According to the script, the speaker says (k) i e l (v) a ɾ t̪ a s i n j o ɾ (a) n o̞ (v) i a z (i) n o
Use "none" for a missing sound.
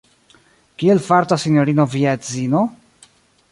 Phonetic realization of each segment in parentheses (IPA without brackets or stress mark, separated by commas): k, f, i, v, i